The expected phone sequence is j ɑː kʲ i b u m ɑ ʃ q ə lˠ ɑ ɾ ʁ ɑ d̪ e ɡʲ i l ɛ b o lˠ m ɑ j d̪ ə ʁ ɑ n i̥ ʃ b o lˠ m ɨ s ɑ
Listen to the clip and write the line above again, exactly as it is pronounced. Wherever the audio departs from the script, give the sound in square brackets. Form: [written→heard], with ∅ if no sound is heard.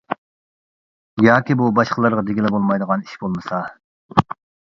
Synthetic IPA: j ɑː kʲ i b u [m→b] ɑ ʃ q ə lˠ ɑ ɾ ʁ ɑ d̪ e ɡʲ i l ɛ b o lˠ m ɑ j d̪ ə ʁ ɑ n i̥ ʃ b o lˠ m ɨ s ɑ